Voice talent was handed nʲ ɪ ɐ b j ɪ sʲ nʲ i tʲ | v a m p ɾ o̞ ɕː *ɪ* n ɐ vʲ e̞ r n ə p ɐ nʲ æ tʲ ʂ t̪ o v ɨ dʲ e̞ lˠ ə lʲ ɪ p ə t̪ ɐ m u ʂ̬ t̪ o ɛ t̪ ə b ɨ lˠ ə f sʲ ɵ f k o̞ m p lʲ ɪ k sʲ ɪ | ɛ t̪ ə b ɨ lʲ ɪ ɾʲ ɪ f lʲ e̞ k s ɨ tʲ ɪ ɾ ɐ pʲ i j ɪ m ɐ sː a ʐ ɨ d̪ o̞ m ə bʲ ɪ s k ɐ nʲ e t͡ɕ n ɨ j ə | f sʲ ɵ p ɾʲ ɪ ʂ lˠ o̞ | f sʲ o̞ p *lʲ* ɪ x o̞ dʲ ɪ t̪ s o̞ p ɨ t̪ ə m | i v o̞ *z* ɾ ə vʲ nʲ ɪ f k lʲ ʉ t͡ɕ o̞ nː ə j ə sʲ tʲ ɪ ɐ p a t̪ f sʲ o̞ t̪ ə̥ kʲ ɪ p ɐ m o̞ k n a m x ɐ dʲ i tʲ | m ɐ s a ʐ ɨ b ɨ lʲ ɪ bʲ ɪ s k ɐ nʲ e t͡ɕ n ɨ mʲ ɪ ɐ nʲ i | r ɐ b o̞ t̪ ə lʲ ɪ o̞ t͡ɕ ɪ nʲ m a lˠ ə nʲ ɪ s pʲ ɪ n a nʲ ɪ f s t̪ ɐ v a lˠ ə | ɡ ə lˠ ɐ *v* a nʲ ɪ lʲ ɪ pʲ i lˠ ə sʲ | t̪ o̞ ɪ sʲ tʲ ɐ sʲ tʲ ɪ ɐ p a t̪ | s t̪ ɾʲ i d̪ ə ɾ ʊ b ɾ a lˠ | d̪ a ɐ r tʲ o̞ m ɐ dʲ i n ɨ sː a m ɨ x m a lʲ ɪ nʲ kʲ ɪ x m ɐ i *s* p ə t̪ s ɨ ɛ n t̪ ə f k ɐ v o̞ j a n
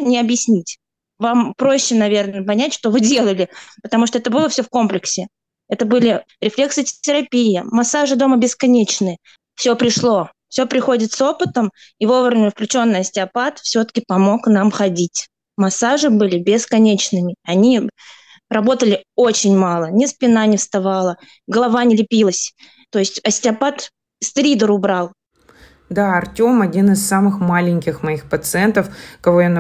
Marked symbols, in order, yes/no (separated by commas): yes, no, no, yes, no